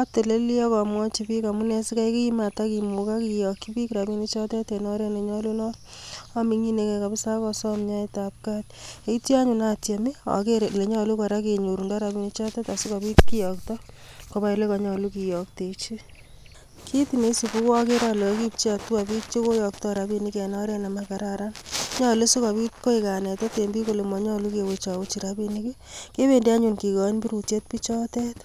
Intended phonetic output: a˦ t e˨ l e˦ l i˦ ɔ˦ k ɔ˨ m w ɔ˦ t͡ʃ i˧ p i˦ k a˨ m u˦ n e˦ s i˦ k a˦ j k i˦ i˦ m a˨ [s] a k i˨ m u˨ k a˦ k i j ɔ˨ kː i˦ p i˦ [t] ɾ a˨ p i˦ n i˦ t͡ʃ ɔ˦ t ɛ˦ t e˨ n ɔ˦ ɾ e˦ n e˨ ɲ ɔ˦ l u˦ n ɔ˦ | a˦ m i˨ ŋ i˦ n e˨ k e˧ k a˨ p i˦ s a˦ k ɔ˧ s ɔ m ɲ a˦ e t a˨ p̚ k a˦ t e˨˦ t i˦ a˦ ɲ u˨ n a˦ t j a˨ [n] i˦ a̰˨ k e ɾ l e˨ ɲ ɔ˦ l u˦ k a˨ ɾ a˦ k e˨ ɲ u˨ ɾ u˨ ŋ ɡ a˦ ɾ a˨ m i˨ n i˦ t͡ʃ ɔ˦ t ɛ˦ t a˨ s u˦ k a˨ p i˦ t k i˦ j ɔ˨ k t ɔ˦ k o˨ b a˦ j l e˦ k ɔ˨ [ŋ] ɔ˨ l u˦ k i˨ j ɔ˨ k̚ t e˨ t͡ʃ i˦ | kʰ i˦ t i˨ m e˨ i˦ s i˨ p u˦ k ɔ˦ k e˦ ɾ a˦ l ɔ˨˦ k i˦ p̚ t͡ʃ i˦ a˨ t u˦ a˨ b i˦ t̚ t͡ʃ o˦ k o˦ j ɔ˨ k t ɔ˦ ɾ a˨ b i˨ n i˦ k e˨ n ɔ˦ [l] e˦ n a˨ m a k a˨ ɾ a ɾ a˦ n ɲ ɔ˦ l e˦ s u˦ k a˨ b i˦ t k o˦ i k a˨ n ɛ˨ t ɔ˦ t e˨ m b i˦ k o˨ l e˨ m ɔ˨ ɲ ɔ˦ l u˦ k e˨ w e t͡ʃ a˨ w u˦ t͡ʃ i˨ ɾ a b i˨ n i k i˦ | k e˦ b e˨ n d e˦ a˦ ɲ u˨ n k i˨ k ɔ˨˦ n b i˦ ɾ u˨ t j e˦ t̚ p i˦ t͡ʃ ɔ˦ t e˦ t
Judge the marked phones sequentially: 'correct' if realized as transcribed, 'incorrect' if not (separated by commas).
incorrect, incorrect, incorrect, incorrect, incorrect